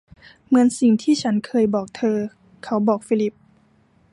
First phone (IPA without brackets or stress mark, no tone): m